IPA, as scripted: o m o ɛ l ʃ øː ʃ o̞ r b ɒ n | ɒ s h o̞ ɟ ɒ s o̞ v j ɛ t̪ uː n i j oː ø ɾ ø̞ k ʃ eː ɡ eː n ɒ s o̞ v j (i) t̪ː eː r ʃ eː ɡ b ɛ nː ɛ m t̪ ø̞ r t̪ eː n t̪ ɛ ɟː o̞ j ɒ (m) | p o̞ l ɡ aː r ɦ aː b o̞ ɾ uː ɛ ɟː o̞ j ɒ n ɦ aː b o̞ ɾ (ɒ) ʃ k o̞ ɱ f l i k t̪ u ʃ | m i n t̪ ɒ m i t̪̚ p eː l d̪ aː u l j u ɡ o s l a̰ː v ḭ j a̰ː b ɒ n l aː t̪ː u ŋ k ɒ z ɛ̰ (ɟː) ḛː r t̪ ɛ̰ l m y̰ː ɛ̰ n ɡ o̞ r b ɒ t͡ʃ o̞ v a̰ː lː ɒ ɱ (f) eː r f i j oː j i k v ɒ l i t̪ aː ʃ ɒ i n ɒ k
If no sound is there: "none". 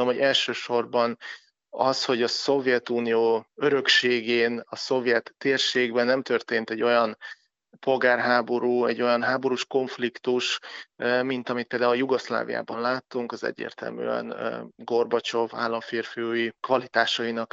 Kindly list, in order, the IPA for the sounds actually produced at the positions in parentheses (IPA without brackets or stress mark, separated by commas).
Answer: ɛ, n, u, ɟː, f